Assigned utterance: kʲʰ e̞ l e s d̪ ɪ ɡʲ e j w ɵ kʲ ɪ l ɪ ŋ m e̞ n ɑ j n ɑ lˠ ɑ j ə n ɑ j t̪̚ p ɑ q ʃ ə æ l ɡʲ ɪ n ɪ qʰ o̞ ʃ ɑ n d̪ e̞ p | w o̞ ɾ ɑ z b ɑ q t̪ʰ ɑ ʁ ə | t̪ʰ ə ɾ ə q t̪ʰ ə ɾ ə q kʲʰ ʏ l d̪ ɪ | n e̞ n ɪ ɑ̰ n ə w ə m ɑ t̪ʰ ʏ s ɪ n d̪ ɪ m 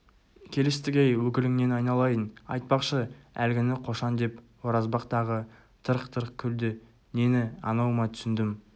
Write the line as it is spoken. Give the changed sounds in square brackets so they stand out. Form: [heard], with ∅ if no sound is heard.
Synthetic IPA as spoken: kʲʰ e̞ l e s [t̪] ɪ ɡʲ e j w ɵ kʲ ɪ l ɪ ŋ [n] e̞ n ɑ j n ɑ lˠ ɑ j ə n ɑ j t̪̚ p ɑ q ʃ ə æ l ɡʲ ɪ n ɪ qʰ o̞ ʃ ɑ n d̪ e̞ p | w o̞ ɾ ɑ z b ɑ q [t̪] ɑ ʁ ə | t̪ʰ ə ɾ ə q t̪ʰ ə ɾ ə q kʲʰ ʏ l d̪ ɪ | n e̞ n ɪ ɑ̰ n [ɑ] w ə m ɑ t̪ʰ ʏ s ɪ n d̪ ɪ m

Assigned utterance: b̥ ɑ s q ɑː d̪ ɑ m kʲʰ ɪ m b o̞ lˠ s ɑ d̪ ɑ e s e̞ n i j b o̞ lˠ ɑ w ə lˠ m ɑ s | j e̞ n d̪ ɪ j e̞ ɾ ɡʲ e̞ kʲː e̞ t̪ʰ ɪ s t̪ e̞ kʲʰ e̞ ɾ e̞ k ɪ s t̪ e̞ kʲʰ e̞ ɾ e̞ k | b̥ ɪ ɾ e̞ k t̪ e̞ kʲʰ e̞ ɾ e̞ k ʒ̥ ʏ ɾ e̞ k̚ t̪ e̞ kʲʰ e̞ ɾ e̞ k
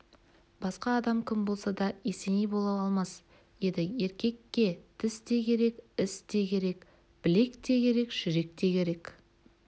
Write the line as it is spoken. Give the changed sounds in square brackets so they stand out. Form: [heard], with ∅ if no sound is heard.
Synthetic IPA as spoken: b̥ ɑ s q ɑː d̪ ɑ m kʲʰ ɪ m b o̞ lˠ s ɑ d̪ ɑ e s e̞ n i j b o̞ lˠ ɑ w [ɑ] lˠ m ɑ s | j e̞ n d̪ ɪ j e̞ ɾ [kʲ] e̞ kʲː e̞ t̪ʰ ɪ s t̪ e̞ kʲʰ e̞ ɾ e̞ k ɪ s t̪ e̞ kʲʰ e̞ ɾ e̞ k | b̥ ɪ [l] e̞ k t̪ e̞ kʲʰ e̞ ɾ e̞ k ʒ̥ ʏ ɾ e̞ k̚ t̪ e̞ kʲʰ e̞ ɾ e̞ k

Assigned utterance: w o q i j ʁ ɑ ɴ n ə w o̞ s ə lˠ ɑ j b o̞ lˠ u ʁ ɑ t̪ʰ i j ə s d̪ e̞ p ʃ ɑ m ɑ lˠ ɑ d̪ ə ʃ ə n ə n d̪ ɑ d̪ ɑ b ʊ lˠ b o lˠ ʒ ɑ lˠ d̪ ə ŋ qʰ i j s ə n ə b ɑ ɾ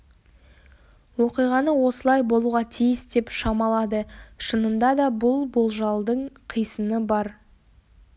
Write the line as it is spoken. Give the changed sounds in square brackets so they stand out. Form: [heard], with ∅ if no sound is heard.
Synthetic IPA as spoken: w o q i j ʁ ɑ [∅] n ə w o̞ s ə lˠ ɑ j b o̞ lˠ u ʁ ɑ t̪ʰ i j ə s d̪ e̞ p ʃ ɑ m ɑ lˠ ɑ d̪ ə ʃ ə n ə n d̪ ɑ d̪ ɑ b ʊ lˠ b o lˠ ʒ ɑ lˠ d̪ ə [ɴ] qʰ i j s ə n ə b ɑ ɾ

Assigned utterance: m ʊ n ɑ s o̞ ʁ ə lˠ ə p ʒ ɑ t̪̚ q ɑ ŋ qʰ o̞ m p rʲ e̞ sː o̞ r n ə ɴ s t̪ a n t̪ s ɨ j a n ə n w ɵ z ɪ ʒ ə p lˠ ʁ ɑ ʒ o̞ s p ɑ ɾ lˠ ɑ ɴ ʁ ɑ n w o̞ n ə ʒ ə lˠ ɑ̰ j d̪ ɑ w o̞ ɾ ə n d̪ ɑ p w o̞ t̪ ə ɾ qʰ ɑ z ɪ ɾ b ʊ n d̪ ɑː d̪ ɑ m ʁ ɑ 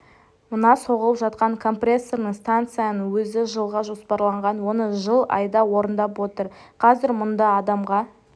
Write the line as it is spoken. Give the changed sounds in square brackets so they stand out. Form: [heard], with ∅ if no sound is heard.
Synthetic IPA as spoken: m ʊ n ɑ s o̞ ʁ ə lˠ ə p ʒ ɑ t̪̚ q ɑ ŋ [kʰ] o̞ m p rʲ e̞ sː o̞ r n ə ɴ s t̪ a n t̪ s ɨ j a n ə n w ɵ z ɪ ʒ ə [∅] lˠ ʁ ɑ ʒ o̞ s p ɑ ɾ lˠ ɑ ɴ ʁ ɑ n w o̞ n ə ʒ ə lˠ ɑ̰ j d̪ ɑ w o̞ ɾ ə n d̪ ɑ p w o̞ t̪ ə ɾ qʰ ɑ z ɪ ɾ [m] ʊ n d̪ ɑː d̪ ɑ m ʁ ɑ

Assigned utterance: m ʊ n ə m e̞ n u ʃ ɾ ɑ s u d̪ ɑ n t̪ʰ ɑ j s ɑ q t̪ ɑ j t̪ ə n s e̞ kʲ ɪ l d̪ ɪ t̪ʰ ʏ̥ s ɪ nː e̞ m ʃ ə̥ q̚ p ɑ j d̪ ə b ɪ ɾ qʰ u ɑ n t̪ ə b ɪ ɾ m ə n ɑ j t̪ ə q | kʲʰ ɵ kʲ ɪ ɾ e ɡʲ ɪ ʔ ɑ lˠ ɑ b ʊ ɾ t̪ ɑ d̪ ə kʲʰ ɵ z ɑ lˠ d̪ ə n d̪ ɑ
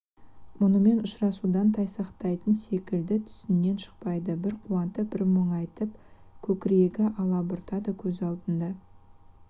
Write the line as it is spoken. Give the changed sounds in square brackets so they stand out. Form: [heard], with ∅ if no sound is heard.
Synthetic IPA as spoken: m ʊ n ə m e̞ n [ʊ] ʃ ɾ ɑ s u d̪ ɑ n t̪ʰ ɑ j s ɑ q t̪ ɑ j t̪ ə n s e̞ kʲ ɪ l d̪ ɪ t̪ʰ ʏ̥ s ɪ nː e̞ [n] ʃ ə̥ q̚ p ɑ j d̪ ə b ɪ ɾ qʰ u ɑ n t̪ ə b ɪ ɾ m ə [ɴ] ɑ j t̪ ə [p] | kʲʰ ɵ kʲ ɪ ɾ e ɡʲ ɪ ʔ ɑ lˠ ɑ b ʊ ɾ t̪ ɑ d̪ ə kʲʰ ɵ z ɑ lˠ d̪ ə n d̪ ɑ

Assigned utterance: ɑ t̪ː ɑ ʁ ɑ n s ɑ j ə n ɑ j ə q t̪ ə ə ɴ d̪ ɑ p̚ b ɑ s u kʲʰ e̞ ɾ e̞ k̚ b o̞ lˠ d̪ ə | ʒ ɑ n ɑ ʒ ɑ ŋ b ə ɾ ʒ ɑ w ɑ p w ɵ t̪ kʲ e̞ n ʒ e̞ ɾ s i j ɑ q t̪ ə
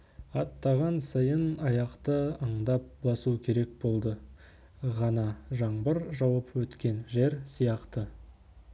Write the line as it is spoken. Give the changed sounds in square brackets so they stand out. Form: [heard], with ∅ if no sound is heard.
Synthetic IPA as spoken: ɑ t̪ː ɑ ʁ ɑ n s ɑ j ə n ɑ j [ɑ] q t̪ ə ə ɴ d̪ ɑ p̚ b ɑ s u kʲʰ e̞ ɾ e̞ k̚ b o̞ lˠ d̪ ə | [ʁ] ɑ n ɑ ʒ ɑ [ɴ] b ə ɾ ʒ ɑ w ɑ p w ɵ t̪ kʲ e̞ n ʒ e̞ ɾ s i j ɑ q t̪ ə

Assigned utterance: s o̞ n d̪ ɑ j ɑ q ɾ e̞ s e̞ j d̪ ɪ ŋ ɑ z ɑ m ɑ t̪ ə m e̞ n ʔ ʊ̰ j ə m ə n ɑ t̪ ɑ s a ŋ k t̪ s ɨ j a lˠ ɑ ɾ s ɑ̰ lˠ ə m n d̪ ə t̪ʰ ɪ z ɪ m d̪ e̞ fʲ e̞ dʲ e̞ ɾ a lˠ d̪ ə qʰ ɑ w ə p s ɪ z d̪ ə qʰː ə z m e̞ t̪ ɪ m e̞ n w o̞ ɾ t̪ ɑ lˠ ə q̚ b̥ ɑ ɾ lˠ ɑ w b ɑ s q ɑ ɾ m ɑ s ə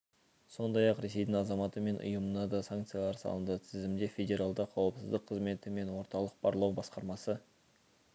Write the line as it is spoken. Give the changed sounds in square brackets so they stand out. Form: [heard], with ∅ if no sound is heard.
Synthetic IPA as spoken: s o̞ n d̪ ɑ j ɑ q ɾ e̞ s e̞ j d̪ ɪ ŋ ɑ z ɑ m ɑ t̪ ə m e̞ n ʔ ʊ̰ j ə m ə n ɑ [d̪] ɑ s a ŋ k t̪ s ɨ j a lˠ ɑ ɾ s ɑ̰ lˠ ə [∅] n d̪ ə t̪ʰ ɪ z ɪ m d̪ e̞ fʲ e̞ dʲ e̞ ɾ a lˠ d̪ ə qʰ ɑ w ə p s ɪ z d̪ ə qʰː ə z m e̞ t̪ ɪ m e̞ n w o̞ ɾ t̪ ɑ lˠ ə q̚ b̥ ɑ ɾ lˠ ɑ w b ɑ s q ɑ ɾ m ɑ s ə

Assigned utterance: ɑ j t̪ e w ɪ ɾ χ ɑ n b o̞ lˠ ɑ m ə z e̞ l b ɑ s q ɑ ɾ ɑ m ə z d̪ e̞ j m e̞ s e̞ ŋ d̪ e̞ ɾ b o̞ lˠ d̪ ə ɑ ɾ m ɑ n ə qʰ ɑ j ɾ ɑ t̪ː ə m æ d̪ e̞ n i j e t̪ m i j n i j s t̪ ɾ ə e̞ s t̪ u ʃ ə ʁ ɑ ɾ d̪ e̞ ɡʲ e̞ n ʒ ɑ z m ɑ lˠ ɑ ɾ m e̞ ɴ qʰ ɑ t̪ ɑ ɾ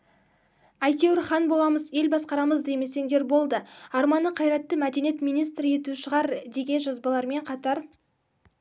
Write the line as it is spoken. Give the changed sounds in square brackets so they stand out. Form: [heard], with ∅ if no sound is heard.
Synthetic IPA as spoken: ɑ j t̪ e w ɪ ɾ χ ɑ n b o̞ lˠ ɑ m ə z e̞ l b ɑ s q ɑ ɾ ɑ m ə z d̪ e̞ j m e̞ s e̞ ŋ d̪ e̞ ɾ b o̞ lˠ d̪ ə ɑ ɾ m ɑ n ə qʰ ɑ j ɾ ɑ t̪ː ə m æ d̪ e̞ n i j e t̪ m i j n i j s t̪ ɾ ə e̞ [∅] t̪ u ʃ ə ʁ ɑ ɾ d̪ e̞ ɡʲ e̞ n ʒ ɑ z [b] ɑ lˠ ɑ ɾ m e̞ ɴ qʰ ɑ t̪ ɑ ɾ

